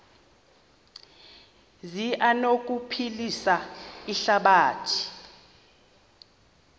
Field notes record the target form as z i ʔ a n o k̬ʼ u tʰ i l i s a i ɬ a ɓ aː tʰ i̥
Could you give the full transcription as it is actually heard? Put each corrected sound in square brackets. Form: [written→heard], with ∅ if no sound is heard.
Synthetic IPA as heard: z i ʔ a n o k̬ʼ u [tʰ→pʰ] i l i s a i ɬ a ɓ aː tʰ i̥